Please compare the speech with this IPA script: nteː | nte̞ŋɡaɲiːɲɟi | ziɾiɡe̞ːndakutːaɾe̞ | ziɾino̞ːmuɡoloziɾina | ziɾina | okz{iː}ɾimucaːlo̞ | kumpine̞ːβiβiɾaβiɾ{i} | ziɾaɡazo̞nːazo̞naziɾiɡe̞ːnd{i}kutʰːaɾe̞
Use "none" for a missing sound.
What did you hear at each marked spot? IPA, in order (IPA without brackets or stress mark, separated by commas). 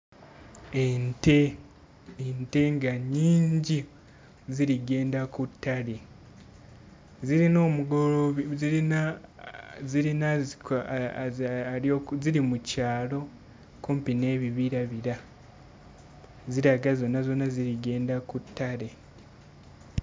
i, a, a